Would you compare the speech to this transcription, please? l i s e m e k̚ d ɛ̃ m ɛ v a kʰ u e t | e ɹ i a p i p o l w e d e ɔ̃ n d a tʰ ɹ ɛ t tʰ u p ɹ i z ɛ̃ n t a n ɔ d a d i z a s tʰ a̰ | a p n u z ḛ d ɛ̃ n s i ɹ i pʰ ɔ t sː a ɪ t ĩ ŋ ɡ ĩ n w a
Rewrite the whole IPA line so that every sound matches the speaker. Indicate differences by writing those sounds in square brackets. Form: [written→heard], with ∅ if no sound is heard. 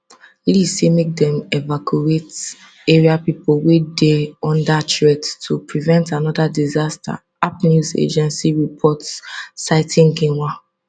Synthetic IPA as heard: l i s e m e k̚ d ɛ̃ m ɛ v a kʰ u e t | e ɹ i a p i p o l w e d e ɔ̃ n d a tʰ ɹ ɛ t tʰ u p ɹ i [z→v] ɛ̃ n t a n ɔ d a d i z a s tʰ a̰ | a p n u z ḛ [d→d͡ʒ] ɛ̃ n s i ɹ i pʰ ɔ t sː a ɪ t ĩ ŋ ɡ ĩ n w a